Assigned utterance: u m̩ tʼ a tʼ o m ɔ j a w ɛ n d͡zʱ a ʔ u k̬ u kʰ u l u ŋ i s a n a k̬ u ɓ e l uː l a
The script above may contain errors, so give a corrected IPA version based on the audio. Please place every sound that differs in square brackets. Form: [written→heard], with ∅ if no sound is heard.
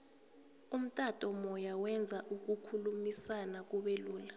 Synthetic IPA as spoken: u m̩ tʼ a tʼ [o→ɔ] m ɔ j a w ɛ n d͡zʱ a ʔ u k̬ u kʰ u l u [ŋ→m] i s a n a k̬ u ɓ e l uː l a

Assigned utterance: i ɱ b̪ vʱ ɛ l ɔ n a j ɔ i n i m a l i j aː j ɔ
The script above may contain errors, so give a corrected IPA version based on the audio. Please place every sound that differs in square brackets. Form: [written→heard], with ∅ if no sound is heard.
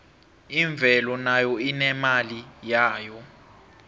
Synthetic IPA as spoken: i ɱ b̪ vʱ ɛ l ɔ n a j ɔ i n [i→ɛ] m a l i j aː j ɔ

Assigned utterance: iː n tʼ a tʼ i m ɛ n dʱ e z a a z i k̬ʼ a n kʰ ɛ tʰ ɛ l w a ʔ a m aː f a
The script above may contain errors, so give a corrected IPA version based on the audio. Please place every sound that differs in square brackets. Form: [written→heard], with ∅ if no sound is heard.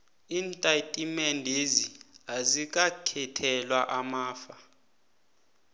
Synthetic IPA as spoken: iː n tʼ a tʼ i m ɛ n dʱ e z [a→i] a z i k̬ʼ a [n→∅] kʰ ɛ tʰ ɛ l w a ʔ a m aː f a

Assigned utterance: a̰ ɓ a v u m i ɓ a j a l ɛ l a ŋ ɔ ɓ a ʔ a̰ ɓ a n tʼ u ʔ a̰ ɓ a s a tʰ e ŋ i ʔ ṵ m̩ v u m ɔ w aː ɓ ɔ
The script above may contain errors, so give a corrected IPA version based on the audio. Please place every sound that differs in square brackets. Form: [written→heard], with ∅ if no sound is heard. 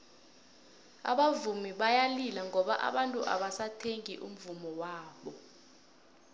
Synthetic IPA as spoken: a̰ ɓ a v u m i ɓ a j a l [ɛ→i] l a ŋ ɔ ɓ a ʔ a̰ ɓ a n tʼ u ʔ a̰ ɓ a s a tʰ e ŋ i ʔ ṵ m̩ v u m ɔ w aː ɓ ɔ

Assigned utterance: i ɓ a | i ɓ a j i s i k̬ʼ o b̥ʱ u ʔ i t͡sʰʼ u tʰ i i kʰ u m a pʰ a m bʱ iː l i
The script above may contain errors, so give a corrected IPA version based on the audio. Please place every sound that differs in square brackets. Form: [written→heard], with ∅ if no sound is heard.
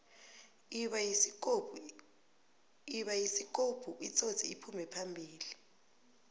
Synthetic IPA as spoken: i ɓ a | i ɓ a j i s i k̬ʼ o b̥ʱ u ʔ i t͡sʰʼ [u→o] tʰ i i [kʰ→pʰ] u m [a→ɛ] pʰ a m bʱ iː l i

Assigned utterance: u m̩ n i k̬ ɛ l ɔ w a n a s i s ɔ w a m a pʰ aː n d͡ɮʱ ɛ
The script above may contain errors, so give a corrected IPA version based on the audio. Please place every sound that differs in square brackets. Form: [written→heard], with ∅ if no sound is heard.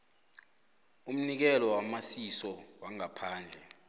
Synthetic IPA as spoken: u m̩ n i k̬ ɛ l ɔ w a [n→m] a s i s ɔ w a [m→ŋ] a pʰ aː n d͡ɮʱ ɛ

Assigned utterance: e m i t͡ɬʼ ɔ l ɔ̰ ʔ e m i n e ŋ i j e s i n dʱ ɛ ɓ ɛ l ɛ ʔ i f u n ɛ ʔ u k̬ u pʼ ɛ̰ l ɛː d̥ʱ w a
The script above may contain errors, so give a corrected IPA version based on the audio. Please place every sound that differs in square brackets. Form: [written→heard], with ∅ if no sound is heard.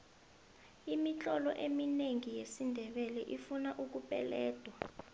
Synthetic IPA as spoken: [e→i] m i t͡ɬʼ ɔ l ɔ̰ ʔ e m i n e ŋ i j e s i n dʱ ɛ ɓ ɛ l ɛ ʔ i f u n [ɛ→a] ʔ u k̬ u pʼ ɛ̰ l ɛː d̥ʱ w a

